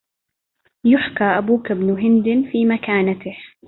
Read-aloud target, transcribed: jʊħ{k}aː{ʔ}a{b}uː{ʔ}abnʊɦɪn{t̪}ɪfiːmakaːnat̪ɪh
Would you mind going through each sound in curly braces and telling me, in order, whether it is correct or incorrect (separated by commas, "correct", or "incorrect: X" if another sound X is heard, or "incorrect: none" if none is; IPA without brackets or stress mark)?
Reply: correct, correct, correct, incorrect: k, incorrect: d̪